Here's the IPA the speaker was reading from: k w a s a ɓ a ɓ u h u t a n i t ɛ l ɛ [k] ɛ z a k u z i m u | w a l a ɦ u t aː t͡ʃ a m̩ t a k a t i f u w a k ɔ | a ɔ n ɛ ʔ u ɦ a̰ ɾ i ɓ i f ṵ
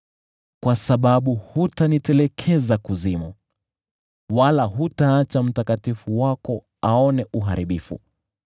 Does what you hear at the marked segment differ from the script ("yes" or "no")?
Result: yes